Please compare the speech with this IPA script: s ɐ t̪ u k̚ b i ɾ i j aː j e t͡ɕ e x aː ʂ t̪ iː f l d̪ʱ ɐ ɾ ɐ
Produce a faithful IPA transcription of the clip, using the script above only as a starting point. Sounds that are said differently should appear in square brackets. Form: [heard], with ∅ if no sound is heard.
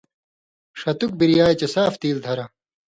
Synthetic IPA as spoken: [ʂ] ɐ t̪ u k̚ b i ɾ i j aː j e t͡ɕ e [s] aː [f] t̪ iː [∅] l d̪ʱ ɐ ɾ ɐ